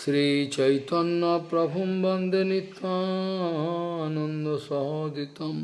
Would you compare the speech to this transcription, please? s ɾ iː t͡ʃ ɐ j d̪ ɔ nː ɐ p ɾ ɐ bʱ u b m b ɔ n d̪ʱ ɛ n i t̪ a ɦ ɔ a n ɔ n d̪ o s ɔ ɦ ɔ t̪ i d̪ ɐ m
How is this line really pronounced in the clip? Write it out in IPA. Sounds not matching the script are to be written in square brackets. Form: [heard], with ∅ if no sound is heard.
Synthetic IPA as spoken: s ɾ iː t͡ʃ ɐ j [t̪] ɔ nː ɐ p ɾ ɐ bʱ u [∅] m b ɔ n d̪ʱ [e] n i t̪ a ɦ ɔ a n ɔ n d̪ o s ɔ ɦ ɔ [d̪] i [t̪] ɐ m

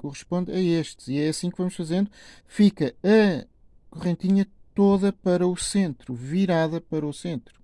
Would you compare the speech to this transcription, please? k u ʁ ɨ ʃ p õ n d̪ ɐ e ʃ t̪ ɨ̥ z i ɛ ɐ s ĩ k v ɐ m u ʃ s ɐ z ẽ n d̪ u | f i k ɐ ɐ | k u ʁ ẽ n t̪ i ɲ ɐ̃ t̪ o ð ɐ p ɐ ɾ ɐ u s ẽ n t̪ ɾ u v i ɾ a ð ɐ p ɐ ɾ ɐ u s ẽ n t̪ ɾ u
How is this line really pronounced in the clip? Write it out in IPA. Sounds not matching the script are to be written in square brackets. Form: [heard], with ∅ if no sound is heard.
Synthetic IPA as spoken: k u ʁ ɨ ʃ p õ n d̪ ɐ e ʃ t̪ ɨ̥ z i ɛ ɐ s ĩ k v ɐ m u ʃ [f] ɐ z ẽ n d̪ u | f i k ɐ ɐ | k u ʁ ẽ n t̪ i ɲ [ɐ] t̪ o ð ɐ p ɐ ɾ ɐ u s ẽ n t̪ ɾ u v i ɾ a ð ɐ p ɐ ɾ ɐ u s ẽ n t̪ ɾ u

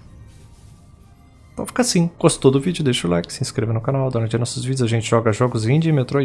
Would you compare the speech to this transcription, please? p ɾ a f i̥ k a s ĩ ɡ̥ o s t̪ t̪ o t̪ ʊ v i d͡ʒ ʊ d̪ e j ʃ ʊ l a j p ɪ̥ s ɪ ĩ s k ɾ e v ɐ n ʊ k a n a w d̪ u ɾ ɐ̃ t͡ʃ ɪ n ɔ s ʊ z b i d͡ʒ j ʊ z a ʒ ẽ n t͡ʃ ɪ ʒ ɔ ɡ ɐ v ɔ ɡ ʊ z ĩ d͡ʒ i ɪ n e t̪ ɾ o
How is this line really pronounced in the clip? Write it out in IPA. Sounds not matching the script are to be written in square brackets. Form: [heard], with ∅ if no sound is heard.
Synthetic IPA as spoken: p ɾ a f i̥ k a s ĩ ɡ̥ o s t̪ t̪ o [d̪] ʊ v i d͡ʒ ʊ d̪ e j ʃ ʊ l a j [k] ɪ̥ s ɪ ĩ s k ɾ e v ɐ n ʊ k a n a w d̪ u ɾ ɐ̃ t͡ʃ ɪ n ɔ s ʊ z [v] i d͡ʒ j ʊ z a ʒ ẽ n t͡ʃ ɪ ʒ ɔ ɡ ɐ [ʒ] ɔ ɡ ʊ z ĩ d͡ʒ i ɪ [m] e t̪ ɾ o

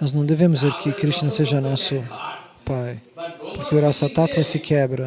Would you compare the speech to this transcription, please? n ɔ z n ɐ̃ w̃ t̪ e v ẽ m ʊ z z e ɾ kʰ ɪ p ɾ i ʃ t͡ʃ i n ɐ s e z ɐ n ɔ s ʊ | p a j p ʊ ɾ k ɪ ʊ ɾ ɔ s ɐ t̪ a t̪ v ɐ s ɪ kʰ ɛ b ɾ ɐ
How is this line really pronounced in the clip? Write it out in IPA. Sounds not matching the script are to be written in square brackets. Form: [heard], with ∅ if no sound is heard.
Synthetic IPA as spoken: n ɔ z n ɐ̃ w̃ [d̪] e v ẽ m ʊ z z e ɾ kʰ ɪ [k] ɾ i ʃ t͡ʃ i n ɐ s e [ʒ] ɐ n ɔ s ʊ | p a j p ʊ ɾ k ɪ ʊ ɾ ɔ s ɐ t̪ a t̪ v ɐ s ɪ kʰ ɛ b ɾ ɐ

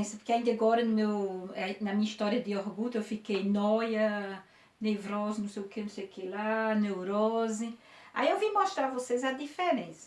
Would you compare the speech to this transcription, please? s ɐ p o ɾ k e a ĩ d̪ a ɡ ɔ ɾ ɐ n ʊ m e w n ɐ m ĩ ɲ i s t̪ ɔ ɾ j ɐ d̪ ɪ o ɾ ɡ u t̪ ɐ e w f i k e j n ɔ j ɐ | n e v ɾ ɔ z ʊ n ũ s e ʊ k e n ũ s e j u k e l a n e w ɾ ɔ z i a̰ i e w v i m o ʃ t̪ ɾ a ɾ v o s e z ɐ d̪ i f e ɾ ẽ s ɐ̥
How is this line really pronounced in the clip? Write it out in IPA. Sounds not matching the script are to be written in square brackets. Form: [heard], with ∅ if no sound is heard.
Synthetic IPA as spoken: s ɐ p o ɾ k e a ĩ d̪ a ɡ ɔ ɾ ɐ n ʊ m e w n ɐ m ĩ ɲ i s t̪ ɔ ɾ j ɐ d̪ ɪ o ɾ ɡ u t̪ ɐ e w f i k e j n ɔ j ɐ | n e v ɾ ɔ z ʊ n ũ s e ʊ k e n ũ s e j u k e l a n e w ɾ ɔ z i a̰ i e w v i m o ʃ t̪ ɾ a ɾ v o s e z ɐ d̪ i f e ɾ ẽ s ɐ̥

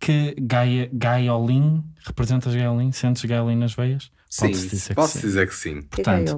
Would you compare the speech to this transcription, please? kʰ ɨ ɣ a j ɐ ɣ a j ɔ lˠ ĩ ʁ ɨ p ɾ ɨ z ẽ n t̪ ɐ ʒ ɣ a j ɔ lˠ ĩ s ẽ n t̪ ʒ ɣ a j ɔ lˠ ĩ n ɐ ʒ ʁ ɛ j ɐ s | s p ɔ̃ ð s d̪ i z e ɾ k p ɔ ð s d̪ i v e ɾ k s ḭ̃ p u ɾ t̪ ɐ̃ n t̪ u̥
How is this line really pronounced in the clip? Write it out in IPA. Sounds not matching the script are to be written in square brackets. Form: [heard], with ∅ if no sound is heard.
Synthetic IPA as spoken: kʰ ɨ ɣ a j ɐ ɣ a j ɔ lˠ ĩ ʁ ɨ p ɾ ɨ z ẽ n t̪ ɐ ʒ ɣ a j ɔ lˠ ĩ s ẽ n t̪ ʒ ɣ a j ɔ lˠ ĩ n ɐ ʒ [v] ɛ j ɐ [ʃ] | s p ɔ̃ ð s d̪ i z e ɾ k p ɔ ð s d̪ i [z] e ɾ k s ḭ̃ p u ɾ t̪ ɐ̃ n t̪ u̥

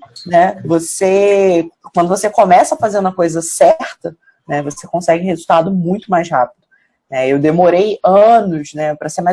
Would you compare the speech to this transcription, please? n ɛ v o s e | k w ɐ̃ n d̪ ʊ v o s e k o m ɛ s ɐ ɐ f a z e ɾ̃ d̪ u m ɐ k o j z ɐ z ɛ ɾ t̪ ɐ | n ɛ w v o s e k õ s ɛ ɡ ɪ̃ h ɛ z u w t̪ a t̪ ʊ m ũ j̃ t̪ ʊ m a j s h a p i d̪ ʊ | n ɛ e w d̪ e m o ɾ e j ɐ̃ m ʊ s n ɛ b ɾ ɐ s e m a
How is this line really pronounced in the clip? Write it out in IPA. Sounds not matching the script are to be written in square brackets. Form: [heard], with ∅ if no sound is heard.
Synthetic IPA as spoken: n ɛ v o s e | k w ɐ̃ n d̪ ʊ v o s e k o m ɛ s ɐ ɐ f a z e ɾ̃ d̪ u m ɐ k o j z ɐ [s] ɛ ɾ t̪ ɐ | n ɛ [∅] v o s e k õ s ɛ ɡ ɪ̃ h [e] z u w t̪ a [d̪] ʊ m ũ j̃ t̪ ʊ m a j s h a p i d̪ ʊ | n ɛ e w d̪ e m o ɾ e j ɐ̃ [n] ʊ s n ɛ [p] ɾ ɐ s e m a

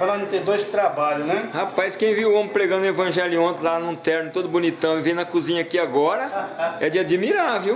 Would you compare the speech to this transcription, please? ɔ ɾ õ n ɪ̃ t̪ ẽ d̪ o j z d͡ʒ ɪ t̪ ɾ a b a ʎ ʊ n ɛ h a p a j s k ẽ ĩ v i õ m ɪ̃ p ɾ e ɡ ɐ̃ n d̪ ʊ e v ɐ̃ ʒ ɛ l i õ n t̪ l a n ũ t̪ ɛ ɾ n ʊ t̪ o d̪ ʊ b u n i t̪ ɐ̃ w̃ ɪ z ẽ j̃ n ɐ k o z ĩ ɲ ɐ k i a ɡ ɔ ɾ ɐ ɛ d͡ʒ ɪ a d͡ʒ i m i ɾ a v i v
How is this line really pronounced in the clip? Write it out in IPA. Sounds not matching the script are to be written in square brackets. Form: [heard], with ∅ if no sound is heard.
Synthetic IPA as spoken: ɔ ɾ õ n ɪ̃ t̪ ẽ d̪ o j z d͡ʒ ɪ t̪ ɾ a b a ʎ ʊ n ɛ h a p a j s k ẽ [j̃] v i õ m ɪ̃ p ɾ e ɡ ɐ̃ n d̪ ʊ e v ɐ̃ ʒ ɛ l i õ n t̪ l a n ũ t̪ ɛ ɾ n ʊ t̪ o d̪ ʊ b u n i t̪ ɐ̃ w̃ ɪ [v] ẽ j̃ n ɐ k [u] z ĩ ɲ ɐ k i a ɡ ɔ ɾ ɐ ɛ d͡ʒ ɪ a d͡ʒ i m i ɾ a v i [w]

